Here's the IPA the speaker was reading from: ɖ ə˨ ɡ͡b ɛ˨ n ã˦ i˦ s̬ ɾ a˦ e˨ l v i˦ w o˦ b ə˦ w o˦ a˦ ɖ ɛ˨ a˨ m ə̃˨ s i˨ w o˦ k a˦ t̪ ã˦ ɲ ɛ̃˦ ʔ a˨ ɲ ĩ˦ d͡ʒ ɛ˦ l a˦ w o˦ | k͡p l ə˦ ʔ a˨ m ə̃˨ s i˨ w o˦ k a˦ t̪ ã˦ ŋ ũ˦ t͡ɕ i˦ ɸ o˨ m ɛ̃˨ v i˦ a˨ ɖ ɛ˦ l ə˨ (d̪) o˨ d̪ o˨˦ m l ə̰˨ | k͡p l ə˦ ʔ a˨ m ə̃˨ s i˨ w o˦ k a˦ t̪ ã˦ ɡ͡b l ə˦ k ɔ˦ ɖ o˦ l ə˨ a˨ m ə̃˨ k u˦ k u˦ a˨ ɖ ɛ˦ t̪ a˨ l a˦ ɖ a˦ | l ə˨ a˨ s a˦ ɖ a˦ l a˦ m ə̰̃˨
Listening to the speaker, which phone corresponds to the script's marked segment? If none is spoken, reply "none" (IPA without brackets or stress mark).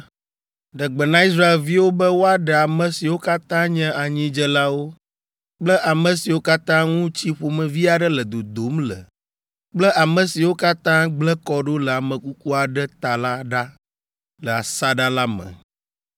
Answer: d̪